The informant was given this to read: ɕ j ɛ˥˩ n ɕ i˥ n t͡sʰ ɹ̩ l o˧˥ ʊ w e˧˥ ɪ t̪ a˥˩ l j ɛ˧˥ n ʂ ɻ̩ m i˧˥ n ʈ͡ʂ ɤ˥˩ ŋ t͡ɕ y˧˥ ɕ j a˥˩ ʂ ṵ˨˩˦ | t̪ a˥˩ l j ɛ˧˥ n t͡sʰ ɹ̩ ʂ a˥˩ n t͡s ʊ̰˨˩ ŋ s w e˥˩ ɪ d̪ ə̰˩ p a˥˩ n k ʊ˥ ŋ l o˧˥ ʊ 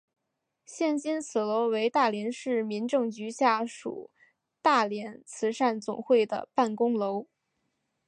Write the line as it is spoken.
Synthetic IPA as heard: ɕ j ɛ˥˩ n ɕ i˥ n t͡sʰ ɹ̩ l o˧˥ ʊ w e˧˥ ɪ t̪ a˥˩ l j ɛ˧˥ n ʂ ɻ̩ m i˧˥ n ʈ͡ʂ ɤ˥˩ ŋ t͡ɕ y˧˥ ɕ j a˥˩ ʂ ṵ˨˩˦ | t̪ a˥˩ l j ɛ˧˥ n t͡sʰ ɹ̩ ʂ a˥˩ n t͡s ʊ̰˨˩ ŋ x w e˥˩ ɪ d̪ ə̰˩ p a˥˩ n k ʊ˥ ŋ l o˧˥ ʊ